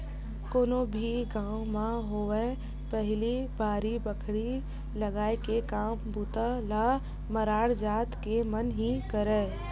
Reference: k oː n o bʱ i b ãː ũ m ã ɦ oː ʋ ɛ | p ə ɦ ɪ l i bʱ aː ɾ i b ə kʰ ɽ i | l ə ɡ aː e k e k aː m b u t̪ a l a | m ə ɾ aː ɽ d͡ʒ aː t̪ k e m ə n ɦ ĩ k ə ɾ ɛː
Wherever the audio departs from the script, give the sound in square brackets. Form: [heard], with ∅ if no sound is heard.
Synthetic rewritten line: k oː n o bʱ i [ɡ] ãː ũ m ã ɦ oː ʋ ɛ | p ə ɦ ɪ l i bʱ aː ɾ i b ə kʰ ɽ i | l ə ɡ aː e k e k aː m b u t̪ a l a | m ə ɾ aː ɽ d͡ʒ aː t̪ k e m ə n ɦ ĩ k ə ɾ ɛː